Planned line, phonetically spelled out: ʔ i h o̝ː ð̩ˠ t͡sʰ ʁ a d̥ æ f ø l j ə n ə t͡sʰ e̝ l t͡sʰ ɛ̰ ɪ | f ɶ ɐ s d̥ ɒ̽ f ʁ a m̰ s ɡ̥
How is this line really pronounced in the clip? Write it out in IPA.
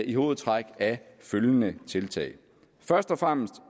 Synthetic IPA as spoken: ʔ i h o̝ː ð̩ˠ t͡sʰ ʁ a ɡ̥ æ f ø l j ə n ə t͡sʰ e̝ l t͡sʰ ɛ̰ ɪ | f ɶ ɐ s d̥ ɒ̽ f ʁ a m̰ s d̥